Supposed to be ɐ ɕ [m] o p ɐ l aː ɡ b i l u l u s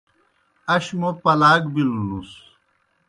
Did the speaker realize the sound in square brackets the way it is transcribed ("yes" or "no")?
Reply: yes